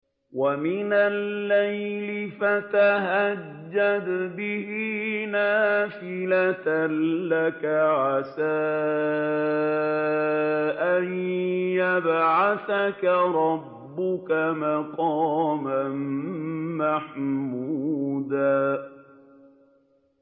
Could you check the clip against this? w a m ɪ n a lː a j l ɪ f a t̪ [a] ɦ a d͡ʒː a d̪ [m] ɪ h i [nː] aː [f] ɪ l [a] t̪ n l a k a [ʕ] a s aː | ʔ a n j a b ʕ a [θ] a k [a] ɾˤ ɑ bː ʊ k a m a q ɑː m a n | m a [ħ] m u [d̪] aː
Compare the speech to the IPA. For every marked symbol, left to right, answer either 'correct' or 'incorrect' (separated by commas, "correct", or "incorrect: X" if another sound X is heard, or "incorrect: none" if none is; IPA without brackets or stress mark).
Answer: correct, incorrect: b, incorrect: n, correct, correct, correct, correct, correct, correct, correct